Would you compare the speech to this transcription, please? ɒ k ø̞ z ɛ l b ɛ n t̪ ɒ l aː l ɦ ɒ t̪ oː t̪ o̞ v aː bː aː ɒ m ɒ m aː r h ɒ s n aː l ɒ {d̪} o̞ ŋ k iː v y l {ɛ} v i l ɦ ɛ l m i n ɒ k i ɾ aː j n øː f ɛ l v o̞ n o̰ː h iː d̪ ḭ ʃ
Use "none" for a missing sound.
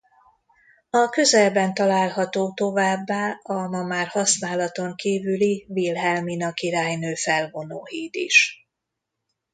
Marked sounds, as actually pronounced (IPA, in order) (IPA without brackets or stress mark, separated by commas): t̪, i